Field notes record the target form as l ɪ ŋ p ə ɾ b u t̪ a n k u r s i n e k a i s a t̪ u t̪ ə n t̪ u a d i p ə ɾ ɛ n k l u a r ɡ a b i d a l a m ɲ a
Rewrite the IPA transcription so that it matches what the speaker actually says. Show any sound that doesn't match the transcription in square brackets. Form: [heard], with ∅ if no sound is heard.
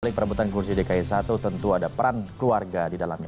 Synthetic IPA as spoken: l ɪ ŋ p ə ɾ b u t̪ a n k u r s i [d] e k a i s a t̪ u t̪ ə n t̪ u a d [a] p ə ɾ [a] n k l u a r ɡ a [d] i d a l a m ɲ a